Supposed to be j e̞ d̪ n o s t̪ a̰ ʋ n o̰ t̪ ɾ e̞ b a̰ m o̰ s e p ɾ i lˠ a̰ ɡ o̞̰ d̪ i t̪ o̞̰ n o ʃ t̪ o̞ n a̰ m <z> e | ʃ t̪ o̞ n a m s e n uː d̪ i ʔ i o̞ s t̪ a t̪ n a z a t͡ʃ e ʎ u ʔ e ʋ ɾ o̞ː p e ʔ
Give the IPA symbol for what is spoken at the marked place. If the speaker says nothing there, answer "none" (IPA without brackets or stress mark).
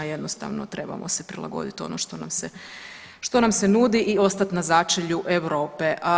s